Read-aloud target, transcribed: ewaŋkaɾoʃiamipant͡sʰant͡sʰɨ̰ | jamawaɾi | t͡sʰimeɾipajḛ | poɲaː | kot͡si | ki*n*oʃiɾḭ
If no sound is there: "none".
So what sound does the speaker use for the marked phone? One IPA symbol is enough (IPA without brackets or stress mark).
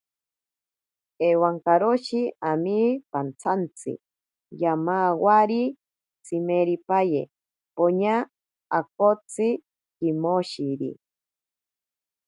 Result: m